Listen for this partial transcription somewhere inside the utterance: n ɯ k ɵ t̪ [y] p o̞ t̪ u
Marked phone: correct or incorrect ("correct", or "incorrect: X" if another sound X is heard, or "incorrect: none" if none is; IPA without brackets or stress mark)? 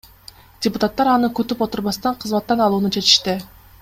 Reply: correct